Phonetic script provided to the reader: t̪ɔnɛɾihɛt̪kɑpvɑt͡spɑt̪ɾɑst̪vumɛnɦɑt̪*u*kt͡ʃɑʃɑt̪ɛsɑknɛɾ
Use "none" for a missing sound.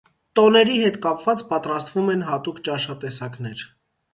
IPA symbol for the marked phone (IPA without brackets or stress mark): u